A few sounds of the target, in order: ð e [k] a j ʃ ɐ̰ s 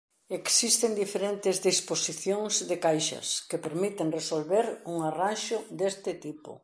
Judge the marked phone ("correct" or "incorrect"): correct